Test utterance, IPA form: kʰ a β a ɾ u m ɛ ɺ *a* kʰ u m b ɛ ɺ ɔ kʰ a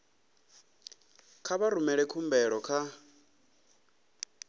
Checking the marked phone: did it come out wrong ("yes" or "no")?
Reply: yes